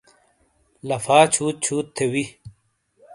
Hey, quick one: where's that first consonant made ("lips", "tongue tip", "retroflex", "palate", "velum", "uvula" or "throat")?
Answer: tongue tip